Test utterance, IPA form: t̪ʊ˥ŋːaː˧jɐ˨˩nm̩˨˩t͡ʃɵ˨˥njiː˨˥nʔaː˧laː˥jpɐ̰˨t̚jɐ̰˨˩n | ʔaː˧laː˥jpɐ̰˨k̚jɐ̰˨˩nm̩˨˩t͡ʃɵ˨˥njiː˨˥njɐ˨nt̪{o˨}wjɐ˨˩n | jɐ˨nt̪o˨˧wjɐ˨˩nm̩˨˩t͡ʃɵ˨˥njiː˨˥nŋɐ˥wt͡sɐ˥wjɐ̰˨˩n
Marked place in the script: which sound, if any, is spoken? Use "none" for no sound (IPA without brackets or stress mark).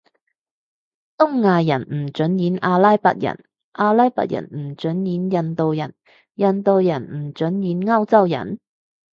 o˨